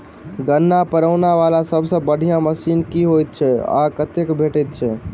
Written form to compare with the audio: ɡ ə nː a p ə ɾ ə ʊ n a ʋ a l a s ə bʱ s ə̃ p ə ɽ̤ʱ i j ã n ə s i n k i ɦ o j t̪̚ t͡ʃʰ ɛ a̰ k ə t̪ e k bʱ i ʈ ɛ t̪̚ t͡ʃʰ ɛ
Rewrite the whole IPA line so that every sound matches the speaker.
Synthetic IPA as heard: ɡ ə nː a p ə ɾ ə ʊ n a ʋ a l a s ə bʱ s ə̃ b ə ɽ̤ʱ i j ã m ə s i n k i ɦ o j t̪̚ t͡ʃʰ ɛ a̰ k ə t̪ e k bʱ e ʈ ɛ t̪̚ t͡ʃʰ ɛ